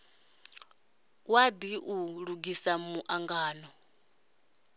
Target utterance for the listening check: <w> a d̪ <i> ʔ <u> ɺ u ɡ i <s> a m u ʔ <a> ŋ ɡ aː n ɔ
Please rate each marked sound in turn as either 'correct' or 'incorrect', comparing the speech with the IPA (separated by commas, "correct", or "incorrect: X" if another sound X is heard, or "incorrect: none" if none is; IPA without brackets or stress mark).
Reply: correct, correct, correct, correct, correct